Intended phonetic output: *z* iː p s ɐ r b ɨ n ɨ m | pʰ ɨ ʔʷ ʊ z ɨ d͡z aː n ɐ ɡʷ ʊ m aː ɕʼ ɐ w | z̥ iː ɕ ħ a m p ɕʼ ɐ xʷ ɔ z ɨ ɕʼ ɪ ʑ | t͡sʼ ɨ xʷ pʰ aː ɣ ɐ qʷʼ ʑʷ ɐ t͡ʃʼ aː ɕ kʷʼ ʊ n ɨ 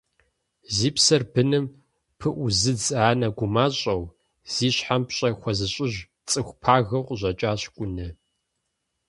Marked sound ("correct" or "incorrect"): correct